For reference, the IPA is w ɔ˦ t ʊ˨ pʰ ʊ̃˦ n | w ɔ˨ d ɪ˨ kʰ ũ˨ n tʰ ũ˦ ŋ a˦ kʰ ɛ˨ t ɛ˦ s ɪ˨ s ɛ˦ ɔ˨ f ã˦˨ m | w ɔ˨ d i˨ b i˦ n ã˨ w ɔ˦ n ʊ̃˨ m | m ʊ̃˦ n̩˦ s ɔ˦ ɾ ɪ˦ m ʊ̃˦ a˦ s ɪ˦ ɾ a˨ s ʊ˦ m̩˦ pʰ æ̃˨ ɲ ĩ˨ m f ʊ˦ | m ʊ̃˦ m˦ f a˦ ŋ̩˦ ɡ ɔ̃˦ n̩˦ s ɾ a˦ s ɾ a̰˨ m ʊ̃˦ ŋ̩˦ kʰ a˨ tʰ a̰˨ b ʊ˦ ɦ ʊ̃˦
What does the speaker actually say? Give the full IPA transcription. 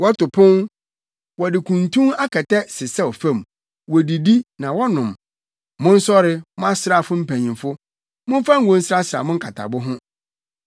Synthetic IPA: w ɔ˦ t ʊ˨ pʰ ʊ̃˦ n | w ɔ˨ d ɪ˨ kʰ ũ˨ n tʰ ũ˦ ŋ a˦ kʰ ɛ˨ t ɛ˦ s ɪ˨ s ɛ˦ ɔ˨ f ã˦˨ m | w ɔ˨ d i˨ d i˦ n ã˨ w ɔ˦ n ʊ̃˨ m | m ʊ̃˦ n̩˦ s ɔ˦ ɾ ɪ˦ m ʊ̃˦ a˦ s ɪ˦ ɾ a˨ f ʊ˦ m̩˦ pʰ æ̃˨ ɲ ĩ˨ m f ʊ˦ | m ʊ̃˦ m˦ f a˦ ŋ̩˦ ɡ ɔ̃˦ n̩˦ s ɾ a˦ s ɾ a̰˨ m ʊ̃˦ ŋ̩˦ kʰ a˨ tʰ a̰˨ b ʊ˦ ɦ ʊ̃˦